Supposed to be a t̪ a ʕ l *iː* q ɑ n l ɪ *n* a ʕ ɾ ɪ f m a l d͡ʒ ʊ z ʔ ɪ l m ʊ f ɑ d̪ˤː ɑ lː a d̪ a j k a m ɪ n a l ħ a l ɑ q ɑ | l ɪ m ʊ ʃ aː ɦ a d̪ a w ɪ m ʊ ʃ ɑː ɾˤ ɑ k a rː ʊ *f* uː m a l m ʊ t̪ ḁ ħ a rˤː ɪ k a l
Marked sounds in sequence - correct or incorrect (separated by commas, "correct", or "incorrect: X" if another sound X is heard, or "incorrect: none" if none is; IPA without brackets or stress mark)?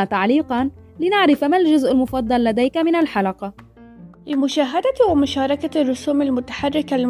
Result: correct, correct, incorrect: s